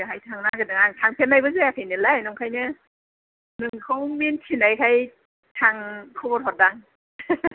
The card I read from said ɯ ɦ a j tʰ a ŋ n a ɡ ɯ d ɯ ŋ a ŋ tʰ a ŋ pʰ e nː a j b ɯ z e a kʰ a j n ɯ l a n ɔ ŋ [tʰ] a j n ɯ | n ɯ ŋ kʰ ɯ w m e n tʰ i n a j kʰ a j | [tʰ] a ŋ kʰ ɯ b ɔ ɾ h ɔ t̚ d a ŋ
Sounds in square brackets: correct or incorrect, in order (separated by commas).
incorrect, correct